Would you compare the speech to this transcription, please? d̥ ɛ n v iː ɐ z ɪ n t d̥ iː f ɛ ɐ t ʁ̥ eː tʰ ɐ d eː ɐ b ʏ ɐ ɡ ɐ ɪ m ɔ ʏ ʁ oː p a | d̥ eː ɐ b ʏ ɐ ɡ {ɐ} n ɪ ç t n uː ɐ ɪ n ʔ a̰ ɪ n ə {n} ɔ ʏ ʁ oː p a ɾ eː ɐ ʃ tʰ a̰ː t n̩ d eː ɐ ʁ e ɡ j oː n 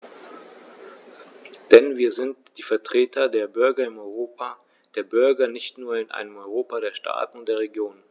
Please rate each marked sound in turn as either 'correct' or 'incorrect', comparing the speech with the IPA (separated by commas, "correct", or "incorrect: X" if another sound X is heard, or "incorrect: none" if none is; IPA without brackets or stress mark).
correct, incorrect: m